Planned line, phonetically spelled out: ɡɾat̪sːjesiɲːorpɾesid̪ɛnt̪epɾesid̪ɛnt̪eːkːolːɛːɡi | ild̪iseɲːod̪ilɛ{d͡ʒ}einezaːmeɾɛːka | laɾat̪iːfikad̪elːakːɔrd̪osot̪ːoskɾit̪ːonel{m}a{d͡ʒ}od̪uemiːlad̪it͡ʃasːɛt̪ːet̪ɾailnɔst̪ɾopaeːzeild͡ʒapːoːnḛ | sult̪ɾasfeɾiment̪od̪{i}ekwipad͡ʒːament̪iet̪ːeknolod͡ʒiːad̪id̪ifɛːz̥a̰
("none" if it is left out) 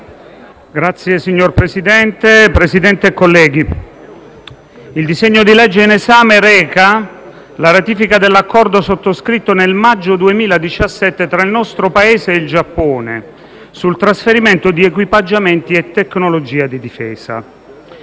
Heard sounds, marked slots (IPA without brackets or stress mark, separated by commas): d͡ʒː, m, d͡ʒː, i